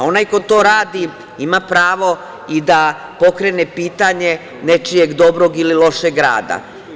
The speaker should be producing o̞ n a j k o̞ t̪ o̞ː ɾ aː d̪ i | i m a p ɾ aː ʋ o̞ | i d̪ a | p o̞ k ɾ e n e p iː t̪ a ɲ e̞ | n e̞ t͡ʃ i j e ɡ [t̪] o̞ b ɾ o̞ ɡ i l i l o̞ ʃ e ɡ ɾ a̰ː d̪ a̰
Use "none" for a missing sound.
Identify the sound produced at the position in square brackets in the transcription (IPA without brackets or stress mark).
d̪